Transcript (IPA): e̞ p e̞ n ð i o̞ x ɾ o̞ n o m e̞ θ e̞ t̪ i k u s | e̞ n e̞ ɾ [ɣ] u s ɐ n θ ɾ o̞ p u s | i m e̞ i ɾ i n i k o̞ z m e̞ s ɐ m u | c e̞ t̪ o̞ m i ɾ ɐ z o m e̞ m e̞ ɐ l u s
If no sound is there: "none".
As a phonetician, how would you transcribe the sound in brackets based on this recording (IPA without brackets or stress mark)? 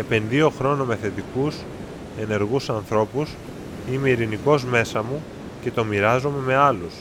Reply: ɣ